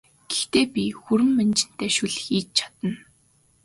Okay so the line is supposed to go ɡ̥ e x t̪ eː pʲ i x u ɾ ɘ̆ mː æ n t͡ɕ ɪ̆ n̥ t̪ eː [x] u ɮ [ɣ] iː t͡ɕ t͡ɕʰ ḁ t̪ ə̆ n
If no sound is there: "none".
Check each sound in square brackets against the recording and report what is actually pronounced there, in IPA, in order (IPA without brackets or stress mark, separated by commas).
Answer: ʃ, x